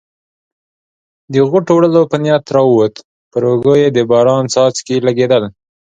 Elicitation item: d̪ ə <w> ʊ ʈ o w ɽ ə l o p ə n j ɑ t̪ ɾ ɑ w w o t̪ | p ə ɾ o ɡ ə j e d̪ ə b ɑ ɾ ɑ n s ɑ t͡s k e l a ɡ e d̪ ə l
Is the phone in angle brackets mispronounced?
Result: yes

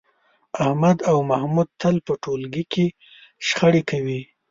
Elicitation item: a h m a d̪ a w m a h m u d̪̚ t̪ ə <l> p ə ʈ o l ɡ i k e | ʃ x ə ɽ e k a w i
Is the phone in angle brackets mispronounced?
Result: no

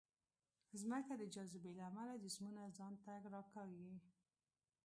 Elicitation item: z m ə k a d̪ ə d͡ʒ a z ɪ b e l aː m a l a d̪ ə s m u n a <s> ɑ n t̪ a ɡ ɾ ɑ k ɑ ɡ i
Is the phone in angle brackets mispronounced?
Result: yes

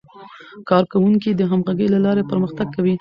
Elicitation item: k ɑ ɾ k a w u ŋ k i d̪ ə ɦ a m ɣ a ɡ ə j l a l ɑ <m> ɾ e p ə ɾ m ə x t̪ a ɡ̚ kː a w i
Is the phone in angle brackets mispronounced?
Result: yes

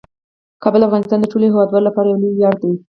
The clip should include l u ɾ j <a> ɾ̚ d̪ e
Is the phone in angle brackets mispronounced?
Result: yes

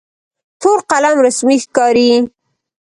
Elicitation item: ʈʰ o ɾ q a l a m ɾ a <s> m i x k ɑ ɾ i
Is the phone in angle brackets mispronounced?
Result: no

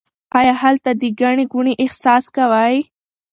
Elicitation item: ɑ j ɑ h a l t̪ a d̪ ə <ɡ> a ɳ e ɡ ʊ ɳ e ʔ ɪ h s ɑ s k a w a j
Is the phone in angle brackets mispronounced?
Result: no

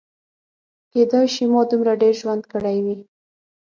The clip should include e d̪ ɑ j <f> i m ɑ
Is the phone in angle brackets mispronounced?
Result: yes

